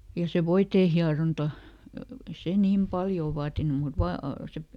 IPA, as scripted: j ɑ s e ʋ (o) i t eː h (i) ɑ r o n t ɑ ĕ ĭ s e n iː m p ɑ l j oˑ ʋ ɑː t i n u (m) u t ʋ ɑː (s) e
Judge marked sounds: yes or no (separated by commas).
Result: yes, yes, yes, yes